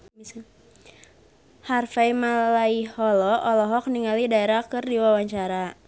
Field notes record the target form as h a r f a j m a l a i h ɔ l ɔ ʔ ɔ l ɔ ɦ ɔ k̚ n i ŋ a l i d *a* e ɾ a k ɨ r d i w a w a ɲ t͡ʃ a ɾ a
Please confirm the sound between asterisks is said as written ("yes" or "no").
yes